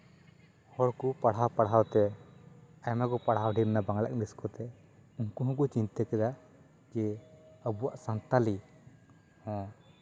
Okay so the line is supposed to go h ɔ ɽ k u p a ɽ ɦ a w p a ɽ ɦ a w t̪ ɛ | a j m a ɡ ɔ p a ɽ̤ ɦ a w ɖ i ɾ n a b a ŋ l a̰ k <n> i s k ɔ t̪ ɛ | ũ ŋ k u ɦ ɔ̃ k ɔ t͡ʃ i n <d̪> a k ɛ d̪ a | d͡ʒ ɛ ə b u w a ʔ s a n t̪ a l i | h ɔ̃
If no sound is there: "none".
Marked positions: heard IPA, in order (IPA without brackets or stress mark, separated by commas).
n, t̪